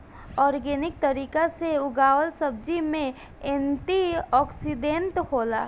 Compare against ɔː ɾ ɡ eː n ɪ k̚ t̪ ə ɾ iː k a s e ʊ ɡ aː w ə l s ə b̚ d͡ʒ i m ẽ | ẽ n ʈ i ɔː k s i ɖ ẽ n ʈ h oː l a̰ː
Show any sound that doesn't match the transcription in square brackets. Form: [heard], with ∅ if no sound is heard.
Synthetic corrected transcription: ɔː ɾ ɡ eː n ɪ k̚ t̪ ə ɾ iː k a s e ʊ ɡ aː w ə l s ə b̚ d͡ʒ i m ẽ | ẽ n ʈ i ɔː k s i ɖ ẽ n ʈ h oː l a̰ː